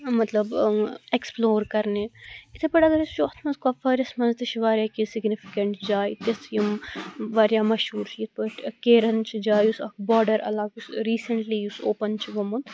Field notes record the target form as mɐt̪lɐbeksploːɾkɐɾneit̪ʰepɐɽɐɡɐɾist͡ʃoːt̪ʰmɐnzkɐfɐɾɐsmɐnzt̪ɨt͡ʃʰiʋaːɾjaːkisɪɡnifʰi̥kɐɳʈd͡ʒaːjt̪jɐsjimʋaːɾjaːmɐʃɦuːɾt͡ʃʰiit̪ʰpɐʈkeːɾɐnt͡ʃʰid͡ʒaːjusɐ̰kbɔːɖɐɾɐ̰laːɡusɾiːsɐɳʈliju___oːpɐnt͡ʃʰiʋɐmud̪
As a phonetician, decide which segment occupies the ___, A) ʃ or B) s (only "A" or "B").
B